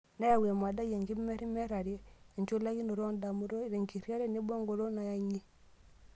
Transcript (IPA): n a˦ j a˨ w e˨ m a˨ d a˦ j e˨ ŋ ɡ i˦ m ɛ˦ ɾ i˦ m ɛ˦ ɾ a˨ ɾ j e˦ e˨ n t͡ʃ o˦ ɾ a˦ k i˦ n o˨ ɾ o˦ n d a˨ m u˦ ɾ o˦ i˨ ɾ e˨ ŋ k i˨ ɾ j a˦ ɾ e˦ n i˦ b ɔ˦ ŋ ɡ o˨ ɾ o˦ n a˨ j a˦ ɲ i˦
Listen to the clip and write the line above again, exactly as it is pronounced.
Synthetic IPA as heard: n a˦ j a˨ w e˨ m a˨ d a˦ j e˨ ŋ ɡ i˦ m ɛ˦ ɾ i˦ m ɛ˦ ɾ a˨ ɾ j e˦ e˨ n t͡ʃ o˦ l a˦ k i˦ n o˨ ɾ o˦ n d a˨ m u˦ ɾ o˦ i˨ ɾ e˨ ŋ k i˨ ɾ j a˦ ɾ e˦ n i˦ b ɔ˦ ŋ ɡ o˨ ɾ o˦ n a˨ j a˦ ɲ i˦